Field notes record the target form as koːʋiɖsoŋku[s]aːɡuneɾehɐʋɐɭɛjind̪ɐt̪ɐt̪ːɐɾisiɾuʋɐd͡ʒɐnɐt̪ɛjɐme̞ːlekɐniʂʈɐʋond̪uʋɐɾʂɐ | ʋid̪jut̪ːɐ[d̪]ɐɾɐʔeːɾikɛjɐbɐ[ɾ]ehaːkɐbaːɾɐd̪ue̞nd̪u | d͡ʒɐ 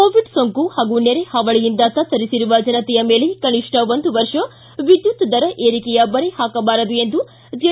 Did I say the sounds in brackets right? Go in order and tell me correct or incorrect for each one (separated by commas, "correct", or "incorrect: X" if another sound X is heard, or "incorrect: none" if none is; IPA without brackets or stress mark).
incorrect: h, correct, correct